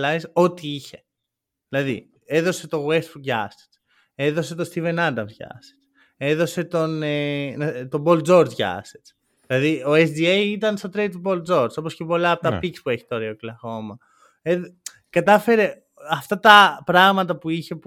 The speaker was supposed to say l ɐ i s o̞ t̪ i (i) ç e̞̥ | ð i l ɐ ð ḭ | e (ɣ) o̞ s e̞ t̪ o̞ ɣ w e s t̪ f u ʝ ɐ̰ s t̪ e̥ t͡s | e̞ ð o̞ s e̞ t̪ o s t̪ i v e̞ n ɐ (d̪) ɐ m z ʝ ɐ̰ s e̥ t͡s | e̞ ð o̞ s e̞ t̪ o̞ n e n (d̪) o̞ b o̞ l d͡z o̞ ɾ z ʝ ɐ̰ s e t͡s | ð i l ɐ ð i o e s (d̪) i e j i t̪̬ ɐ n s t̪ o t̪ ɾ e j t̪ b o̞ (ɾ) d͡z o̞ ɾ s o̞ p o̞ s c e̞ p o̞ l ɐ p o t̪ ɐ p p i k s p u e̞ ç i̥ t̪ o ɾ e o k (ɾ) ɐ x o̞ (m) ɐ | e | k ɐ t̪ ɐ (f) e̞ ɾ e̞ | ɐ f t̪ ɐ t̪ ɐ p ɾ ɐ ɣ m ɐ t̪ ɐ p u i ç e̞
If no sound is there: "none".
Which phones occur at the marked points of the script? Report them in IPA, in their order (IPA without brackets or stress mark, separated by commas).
i, ð, d̪, t̪, d̪, l, l, m, f